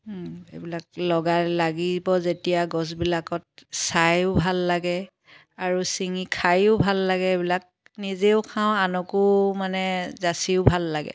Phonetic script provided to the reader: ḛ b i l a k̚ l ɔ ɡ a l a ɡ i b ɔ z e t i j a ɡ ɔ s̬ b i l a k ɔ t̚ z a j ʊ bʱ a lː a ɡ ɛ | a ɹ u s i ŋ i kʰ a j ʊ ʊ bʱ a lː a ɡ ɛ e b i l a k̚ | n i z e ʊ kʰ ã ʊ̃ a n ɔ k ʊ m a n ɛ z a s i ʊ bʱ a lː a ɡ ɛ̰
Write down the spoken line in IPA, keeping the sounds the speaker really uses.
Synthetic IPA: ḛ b i l a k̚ l ɔ ɡ a l a ɡ i b ɔ z e t i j a ɡ ɔ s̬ b i l a k ɔ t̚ s a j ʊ bʱ a lː a ɡ ɛ | a ɹ u s i ŋ i kʰ a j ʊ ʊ bʱ a lː a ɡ ɛ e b i l a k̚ | n i z e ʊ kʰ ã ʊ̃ a n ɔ k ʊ m a n ɛ z a s i ʊ bʱ a lː a ɡ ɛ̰